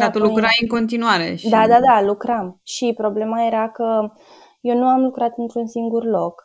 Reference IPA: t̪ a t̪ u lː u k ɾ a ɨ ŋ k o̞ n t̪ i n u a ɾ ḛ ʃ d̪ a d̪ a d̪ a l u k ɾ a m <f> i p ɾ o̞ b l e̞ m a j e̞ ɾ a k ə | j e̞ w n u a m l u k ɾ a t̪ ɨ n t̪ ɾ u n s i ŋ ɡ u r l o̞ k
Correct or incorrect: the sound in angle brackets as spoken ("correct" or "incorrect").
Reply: incorrect